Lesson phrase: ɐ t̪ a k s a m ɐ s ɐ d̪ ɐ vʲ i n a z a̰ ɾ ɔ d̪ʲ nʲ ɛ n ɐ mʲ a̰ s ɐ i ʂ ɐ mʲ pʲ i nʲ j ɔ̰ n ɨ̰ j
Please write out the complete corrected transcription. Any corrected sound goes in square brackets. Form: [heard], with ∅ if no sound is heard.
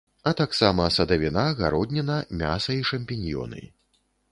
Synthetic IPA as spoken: ɐ t̪ a k s a m ɐ s ɐ d̪ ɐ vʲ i n a [ɣ] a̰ ɾ ɔ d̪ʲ nʲ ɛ n ɐ mʲ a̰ s ɐ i ʂ ɐ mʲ pʲ i nʲ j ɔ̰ n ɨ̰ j